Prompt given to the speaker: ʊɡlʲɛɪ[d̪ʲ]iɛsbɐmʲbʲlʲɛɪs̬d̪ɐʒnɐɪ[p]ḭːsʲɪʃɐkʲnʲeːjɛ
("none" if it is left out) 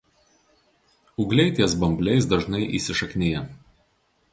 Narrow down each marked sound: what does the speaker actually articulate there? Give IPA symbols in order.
t̪ʲ, ʔ

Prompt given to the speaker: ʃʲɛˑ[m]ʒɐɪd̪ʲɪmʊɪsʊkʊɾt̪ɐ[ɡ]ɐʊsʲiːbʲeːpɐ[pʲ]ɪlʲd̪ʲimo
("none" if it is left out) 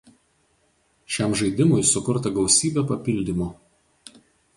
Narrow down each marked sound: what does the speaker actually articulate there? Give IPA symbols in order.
m, ɡ, pʲ

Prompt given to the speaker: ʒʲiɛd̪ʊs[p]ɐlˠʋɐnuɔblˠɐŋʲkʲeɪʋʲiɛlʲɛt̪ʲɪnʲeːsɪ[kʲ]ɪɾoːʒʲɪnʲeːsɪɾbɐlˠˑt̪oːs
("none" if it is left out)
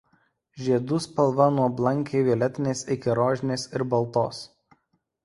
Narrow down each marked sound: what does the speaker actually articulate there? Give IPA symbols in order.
p, kʲ

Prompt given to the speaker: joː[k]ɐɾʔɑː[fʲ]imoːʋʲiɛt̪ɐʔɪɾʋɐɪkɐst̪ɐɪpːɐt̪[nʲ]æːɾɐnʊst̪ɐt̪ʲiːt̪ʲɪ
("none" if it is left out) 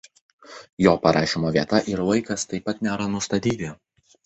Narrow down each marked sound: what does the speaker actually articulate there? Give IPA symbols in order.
p, ʃʲ, nʲ

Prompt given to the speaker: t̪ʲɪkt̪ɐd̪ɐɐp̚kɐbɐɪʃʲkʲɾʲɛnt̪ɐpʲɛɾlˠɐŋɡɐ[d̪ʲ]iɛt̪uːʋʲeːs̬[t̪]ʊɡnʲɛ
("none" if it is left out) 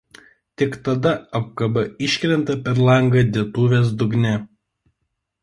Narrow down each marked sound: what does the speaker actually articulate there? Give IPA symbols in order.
d̪ʲ, d̪

